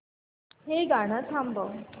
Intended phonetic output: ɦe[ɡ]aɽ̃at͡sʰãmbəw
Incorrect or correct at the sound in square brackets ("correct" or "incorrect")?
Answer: correct